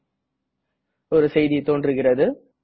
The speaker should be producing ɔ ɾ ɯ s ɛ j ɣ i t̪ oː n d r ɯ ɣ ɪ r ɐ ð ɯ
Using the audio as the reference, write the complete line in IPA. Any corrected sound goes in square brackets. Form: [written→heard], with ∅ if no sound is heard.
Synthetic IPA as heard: ɔ ɾ ɯ s ɛ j [ɣ→ð] i t̪ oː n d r ɯ ɣ ɪ r ɐ ð ɯ